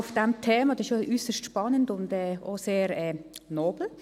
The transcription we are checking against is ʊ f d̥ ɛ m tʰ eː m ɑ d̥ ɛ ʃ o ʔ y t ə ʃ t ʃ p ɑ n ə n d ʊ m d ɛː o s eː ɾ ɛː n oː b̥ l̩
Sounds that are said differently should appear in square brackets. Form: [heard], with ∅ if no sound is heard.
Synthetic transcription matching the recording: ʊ f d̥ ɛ m tʰ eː m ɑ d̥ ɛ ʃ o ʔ y [s] ə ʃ t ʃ p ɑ n ə n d ʊ [n] d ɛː o s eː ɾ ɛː n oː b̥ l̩